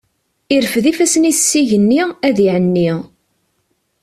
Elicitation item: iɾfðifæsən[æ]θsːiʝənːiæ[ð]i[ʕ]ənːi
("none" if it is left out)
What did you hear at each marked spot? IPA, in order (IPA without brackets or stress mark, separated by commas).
i, ð, ʕ